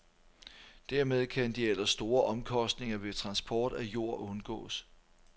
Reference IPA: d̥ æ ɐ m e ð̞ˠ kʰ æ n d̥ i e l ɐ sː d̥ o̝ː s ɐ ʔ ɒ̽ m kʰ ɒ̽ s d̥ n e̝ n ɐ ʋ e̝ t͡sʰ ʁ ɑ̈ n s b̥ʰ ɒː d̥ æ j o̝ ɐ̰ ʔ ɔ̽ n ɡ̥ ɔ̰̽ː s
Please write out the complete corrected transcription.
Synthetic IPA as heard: d̥ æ ɐ m e ð̞ˠ kʰ æ n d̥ i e l ɐ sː d̥ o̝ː ɐ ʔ ɒ̽ m kʰ ɒ̽ s d̥ n e̝ ŋ ɐ ʋ e̝ t͡sʰ ʁ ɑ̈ n s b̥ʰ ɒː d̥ æ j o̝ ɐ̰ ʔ ɔ̽ n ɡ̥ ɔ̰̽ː s